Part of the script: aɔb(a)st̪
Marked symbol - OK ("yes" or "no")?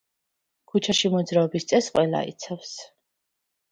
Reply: no